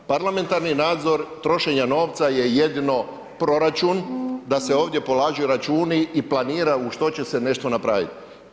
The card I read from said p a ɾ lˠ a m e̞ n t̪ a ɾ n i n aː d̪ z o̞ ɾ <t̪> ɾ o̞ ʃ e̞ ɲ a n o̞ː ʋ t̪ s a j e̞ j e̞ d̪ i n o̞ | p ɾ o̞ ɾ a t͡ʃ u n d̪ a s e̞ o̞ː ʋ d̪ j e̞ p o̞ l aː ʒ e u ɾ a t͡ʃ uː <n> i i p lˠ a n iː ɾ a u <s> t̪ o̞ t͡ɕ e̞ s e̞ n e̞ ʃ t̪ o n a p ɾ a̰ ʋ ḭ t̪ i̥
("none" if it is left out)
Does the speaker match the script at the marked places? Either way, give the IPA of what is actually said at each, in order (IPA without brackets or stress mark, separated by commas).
t̪, n, ʃ